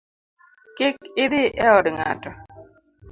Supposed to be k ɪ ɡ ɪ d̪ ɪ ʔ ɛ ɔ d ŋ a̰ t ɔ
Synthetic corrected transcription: k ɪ k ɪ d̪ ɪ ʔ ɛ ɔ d ŋ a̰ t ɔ